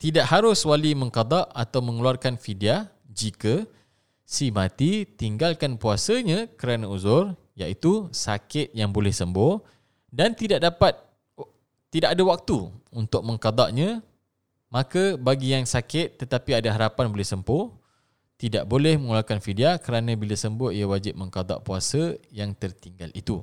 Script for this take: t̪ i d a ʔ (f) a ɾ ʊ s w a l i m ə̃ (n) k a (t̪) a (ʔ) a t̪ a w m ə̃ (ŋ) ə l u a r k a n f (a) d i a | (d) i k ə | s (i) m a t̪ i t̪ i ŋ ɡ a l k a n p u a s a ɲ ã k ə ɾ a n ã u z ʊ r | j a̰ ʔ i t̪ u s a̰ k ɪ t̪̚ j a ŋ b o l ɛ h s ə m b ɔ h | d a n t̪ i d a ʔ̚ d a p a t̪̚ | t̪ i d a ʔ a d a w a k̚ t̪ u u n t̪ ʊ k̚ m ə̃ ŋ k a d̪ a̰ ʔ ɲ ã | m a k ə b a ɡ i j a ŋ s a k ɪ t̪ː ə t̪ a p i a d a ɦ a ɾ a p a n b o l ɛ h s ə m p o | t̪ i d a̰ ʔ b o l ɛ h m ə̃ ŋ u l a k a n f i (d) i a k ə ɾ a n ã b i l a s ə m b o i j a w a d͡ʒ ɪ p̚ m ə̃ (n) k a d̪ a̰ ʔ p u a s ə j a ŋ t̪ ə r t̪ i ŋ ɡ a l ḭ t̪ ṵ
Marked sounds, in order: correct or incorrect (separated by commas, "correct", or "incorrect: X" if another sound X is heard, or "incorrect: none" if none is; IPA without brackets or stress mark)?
incorrect: h, incorrect: ŋ, incorrect: d̪, correct, correct, incorrect: i, incorrect: d͡ʒ, correct, correct, incorrect: ŋ